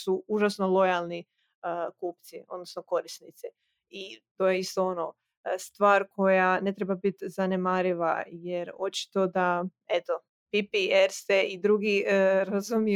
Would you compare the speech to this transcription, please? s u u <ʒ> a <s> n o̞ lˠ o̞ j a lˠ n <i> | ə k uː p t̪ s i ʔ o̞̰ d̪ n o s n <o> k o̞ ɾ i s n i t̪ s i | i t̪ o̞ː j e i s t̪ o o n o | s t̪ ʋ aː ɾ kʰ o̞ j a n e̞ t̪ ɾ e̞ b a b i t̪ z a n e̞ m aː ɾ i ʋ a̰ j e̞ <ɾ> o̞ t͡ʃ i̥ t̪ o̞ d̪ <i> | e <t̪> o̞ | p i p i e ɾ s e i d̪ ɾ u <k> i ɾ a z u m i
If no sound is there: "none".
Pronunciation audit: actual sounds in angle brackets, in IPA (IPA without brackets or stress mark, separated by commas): ʒ, s, i, o, ɾ, a, t̪, ɡ